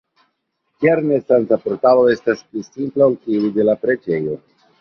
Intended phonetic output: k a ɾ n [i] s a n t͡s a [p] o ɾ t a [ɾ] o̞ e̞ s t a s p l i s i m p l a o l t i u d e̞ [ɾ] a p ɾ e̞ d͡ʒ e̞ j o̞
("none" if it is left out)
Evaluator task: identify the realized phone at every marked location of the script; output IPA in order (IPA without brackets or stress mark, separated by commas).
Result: e, p, l, l